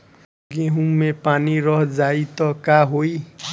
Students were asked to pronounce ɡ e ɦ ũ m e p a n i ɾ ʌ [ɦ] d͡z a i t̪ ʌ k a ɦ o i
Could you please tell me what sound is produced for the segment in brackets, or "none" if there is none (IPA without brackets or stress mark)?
ɦ